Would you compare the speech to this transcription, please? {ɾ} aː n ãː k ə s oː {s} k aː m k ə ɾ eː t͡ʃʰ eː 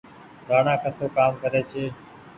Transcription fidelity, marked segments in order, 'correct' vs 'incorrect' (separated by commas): correct, incorrect